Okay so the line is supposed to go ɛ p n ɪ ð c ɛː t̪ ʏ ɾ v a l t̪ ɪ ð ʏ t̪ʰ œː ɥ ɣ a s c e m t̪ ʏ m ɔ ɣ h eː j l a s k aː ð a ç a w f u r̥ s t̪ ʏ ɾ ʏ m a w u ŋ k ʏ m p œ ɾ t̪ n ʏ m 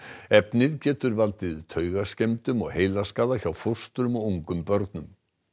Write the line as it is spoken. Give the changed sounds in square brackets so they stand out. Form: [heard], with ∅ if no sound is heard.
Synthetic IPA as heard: ɛ p n ɪ ð c ɛː t̪ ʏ ɾ v a l t̪ ɪ ð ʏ t̪ʰ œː ɥ ɣ a s c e m t̪ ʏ m ɔ ɣ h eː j l a s k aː ð a ç a w f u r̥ s t̪ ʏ ɾ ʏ m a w u ŋ k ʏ m p œ ɾ t̪ n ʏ m